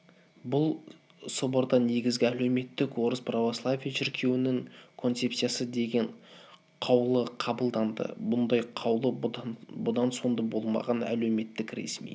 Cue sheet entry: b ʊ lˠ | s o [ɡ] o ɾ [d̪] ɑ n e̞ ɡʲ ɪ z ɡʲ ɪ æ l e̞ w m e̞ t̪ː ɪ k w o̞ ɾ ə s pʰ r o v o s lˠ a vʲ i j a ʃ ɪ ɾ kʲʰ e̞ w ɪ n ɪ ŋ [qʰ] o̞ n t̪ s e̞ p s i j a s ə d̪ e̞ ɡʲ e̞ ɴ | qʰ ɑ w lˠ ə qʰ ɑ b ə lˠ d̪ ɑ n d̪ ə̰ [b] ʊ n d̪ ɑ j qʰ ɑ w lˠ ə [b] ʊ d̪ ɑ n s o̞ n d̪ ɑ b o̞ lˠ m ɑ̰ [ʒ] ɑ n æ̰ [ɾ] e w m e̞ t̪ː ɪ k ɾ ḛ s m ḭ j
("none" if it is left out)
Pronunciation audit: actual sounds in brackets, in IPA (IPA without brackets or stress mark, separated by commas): b, d̪, kʰ, b, b, ʁ, l